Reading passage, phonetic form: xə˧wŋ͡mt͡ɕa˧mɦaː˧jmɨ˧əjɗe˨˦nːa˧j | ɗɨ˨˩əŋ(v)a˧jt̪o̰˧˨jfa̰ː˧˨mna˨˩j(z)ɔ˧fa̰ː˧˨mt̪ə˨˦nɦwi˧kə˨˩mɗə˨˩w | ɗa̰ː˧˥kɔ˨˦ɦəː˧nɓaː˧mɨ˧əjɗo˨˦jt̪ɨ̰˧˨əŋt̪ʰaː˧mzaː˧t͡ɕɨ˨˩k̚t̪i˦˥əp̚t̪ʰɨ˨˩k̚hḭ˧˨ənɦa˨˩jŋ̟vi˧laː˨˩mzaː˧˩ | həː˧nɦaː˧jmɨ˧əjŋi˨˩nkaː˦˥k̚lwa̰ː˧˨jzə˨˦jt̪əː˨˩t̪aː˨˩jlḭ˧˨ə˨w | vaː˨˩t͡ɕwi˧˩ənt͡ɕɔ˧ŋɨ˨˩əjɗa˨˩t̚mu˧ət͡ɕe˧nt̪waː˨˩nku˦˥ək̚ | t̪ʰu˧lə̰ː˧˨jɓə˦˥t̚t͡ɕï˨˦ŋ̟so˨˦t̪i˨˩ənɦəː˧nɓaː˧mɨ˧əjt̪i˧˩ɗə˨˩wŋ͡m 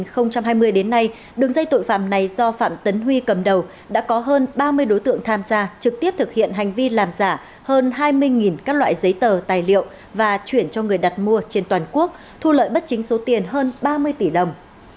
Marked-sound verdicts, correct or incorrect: incorrect: z, correct

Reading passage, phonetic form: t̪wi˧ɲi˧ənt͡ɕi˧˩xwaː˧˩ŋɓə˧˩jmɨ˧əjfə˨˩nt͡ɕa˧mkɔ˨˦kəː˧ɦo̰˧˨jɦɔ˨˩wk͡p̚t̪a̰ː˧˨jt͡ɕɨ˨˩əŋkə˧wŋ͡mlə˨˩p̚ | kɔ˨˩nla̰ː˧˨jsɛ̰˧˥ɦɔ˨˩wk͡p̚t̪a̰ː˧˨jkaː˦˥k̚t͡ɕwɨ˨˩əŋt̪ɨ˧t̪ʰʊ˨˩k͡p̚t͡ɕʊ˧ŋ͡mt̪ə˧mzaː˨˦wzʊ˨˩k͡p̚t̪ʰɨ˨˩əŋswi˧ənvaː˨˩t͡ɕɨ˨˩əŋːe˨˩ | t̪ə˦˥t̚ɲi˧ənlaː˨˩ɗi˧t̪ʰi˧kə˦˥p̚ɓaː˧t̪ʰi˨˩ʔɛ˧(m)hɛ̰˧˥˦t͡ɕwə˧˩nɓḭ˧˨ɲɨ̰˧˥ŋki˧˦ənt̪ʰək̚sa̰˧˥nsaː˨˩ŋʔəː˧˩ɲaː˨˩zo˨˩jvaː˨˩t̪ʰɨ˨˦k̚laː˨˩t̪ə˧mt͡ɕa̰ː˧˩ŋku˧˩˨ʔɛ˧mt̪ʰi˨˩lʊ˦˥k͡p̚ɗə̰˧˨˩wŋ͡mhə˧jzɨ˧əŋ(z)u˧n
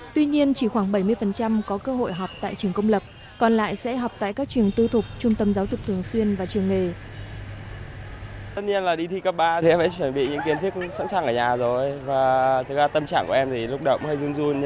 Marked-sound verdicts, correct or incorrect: correct, correct

